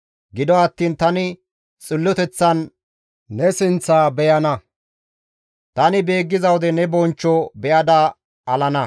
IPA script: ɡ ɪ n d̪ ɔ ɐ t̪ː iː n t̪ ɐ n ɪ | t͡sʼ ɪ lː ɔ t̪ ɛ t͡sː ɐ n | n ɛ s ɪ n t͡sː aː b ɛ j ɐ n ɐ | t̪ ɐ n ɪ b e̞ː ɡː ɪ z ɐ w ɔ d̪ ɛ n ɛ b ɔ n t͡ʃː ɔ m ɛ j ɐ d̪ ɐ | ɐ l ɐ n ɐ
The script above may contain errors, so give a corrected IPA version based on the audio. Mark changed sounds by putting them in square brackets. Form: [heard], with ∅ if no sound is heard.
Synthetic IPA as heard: ɡ ɪ [∅] d̪ ɔ ɐ t̪ː iː n t̪ ɐ n ɪ | t͡sʼ ɪ lː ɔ t̪ ɛ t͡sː ɐ n | n ɛ s ɪ n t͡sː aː b ɛ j ɐ n ɐ | t̪ ɐ n ɪ b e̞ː ɡː ɪ z ɐ w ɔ d̪ ɛ n ɛ b ɔ n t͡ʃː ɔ [b] ɛ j ɐ d̪ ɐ | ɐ l ɐ n ɐ